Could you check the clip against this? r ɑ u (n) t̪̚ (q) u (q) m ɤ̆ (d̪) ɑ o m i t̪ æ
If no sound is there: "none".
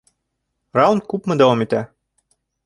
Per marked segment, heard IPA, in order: n, k, p, d̪

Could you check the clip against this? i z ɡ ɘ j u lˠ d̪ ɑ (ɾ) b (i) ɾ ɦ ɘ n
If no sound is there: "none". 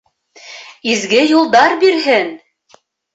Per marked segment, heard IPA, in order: ɾ, i

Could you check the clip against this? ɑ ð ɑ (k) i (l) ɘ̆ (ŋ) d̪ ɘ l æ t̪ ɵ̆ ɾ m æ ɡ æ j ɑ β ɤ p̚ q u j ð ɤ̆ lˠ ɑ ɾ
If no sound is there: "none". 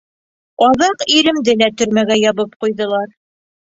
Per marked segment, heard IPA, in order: q, ɾ, m

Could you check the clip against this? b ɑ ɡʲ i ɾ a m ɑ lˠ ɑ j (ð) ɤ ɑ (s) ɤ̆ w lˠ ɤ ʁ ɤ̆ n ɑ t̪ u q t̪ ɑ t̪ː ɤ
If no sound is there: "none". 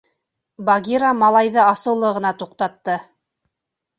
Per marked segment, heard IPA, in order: ð, s

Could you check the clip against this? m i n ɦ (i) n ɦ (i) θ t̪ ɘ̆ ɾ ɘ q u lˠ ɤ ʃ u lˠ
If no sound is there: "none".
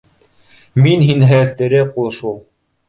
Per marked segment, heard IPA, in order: i, æ

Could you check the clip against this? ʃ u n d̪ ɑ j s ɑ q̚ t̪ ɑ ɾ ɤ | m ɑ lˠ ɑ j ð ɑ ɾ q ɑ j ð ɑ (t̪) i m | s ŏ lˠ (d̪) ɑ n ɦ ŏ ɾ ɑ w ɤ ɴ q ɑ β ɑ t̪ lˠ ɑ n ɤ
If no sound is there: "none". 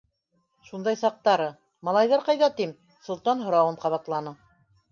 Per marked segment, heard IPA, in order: t̪, t̪

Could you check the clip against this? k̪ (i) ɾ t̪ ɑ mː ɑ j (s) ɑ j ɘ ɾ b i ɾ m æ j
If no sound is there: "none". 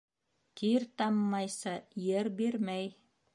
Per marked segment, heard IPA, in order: i, s

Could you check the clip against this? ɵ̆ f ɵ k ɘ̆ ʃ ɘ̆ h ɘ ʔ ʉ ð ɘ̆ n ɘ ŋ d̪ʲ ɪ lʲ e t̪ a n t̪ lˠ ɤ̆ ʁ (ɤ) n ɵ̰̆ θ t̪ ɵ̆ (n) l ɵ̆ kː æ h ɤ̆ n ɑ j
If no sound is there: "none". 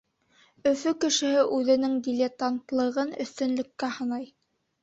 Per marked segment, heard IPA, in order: ɤ, n

